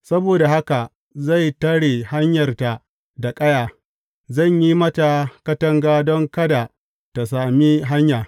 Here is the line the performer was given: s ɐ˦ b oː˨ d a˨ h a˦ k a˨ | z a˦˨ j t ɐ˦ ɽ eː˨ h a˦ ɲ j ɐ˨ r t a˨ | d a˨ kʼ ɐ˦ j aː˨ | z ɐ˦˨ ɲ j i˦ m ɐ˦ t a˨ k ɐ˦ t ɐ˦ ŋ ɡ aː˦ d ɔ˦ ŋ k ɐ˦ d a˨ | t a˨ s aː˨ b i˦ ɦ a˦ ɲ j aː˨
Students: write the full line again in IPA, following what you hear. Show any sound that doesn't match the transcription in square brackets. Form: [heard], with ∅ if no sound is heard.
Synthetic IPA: s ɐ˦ b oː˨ d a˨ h a˦ k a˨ | z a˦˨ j t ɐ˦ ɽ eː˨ h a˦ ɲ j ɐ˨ r t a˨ | d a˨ kʼ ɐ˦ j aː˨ | z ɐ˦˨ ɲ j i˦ m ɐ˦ t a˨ k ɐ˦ t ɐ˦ ŋ ɡ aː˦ d ɔ˦ ŋ k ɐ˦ d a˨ | t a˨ s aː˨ [m] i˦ ɦ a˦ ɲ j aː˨